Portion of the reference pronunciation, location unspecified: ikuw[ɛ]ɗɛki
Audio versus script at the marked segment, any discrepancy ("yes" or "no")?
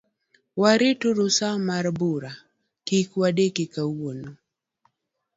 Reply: yes